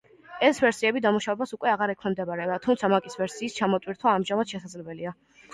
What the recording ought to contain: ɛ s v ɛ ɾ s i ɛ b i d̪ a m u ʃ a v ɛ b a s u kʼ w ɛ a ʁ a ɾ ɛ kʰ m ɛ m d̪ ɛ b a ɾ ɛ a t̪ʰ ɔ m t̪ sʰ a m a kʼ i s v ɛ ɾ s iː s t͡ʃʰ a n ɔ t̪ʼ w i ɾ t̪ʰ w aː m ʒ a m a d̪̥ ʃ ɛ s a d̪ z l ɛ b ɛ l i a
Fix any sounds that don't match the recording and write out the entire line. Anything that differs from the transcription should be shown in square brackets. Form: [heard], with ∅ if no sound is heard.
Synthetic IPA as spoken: ɛ s v ɛ ɾ s i ɛ b i d̪ a m u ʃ a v ɛ b a s u kʼ w ɛ a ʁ a ɾ ɛ kʰ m ɛ m d̪ ɛ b a ɾ ɛ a t̪ʰ [u] m t̪ sʰ a m a kʼ i s v ɛ ɾ s iː s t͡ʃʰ a [m] ɔ t̪ʼ w i ɾ t̪ʰ w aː m ʒ a m a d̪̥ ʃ ɛ s a d̪ z l ɛ b ɛ l i a